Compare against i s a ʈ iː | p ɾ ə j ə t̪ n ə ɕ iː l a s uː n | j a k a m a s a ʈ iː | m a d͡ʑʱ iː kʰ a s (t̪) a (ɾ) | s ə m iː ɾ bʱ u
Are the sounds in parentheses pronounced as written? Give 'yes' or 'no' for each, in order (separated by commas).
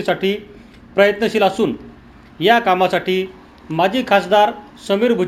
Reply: no, yes